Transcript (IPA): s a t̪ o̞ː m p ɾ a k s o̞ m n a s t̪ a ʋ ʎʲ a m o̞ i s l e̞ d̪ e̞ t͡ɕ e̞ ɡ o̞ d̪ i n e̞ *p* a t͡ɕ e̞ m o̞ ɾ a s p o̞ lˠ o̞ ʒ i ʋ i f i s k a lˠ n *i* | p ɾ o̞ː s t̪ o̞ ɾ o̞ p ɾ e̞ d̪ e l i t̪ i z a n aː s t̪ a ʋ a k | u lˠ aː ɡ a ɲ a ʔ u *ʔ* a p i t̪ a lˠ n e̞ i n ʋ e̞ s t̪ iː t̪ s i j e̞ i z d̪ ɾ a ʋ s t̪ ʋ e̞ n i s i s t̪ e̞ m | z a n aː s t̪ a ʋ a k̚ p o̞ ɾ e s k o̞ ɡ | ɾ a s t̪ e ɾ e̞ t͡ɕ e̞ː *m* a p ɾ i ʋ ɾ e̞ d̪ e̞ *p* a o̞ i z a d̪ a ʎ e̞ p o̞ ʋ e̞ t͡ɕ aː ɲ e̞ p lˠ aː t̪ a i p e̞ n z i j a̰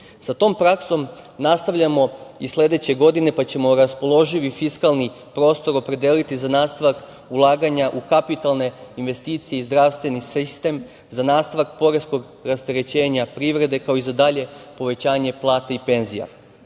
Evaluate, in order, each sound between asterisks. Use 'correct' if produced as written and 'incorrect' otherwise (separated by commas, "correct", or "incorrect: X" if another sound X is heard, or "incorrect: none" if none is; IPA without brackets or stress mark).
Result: correct, correct, incorrect: k, incorrect: ɲ, incorrect: k